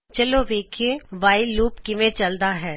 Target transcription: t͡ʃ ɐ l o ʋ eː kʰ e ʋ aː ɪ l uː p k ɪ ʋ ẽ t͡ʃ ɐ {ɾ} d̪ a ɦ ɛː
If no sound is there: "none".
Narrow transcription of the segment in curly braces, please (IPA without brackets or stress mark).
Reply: l